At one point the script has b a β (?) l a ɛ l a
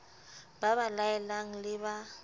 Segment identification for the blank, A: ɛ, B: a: B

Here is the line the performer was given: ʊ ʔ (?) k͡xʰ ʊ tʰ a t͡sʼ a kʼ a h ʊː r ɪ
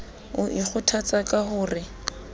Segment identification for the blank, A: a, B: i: B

